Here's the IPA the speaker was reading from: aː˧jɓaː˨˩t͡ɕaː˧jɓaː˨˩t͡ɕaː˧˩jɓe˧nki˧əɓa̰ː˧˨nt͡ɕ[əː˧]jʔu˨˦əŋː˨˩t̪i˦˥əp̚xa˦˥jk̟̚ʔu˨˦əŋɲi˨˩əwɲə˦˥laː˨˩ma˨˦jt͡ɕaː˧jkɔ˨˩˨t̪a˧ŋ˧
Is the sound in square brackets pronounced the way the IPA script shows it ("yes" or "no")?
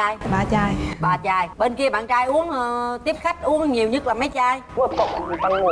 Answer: no